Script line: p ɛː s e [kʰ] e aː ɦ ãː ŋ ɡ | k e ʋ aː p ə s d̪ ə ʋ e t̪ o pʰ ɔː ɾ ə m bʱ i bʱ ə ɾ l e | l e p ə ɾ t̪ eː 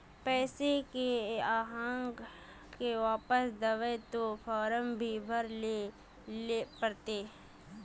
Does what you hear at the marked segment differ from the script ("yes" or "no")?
yes